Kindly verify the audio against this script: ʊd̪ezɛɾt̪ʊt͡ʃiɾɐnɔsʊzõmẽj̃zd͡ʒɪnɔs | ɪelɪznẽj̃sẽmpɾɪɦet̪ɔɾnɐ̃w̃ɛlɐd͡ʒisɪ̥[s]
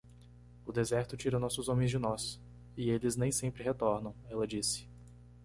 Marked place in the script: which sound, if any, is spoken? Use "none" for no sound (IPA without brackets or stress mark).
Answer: none